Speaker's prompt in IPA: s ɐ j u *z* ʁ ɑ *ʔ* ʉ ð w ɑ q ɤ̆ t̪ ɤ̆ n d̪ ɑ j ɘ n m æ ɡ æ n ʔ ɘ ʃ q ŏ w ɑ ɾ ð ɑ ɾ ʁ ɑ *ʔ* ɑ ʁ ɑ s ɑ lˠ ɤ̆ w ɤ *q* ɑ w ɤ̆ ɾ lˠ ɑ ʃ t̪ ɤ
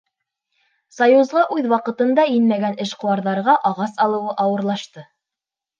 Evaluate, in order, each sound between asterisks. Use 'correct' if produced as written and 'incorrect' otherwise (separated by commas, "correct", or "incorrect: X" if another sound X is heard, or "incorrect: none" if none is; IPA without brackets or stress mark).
correct, correct, correct, incorrect: ʔ